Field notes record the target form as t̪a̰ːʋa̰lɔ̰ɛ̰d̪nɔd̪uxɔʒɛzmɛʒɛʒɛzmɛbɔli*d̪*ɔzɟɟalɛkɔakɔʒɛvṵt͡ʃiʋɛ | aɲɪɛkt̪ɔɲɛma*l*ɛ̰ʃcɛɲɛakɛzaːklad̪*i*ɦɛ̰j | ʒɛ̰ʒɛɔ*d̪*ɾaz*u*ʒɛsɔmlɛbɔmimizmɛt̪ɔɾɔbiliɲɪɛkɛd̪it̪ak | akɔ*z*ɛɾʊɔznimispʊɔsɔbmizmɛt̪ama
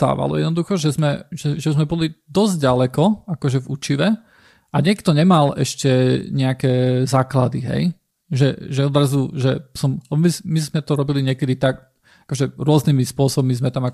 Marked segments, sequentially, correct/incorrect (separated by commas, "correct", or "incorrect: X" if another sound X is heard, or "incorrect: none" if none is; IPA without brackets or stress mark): correct, correct, correct, correct, correct, incorrect: ʒ